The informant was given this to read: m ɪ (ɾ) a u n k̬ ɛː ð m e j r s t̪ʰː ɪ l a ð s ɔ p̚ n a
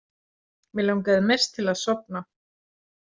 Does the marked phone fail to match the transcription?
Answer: yes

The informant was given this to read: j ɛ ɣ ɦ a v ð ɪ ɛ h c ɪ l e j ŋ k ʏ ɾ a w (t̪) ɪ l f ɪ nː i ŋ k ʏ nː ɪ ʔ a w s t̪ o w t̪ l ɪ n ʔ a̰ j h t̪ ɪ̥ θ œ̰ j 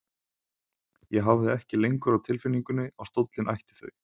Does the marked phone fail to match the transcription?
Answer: yes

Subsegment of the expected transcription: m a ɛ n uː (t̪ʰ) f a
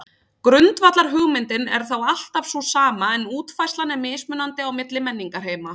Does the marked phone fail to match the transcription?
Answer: yes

